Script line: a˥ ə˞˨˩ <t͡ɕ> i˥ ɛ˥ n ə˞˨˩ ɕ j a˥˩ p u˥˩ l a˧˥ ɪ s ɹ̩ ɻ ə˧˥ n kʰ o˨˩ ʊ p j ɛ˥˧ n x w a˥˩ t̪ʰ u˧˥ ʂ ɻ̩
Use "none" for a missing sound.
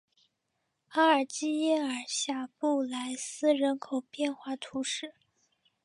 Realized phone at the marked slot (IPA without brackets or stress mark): t͡ɕ